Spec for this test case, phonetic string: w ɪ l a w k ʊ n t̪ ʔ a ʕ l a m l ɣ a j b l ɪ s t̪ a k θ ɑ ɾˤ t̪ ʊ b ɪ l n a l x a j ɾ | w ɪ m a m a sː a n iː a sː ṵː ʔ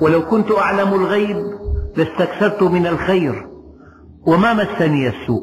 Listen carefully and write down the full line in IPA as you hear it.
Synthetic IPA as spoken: w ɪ l a w k ʊ n t̪ ʔ a ʕ l a m l ɣ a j b l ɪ s t̪ a k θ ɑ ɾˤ t̪ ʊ m ɪ n a l x a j ɾ | w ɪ m a m a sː a n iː a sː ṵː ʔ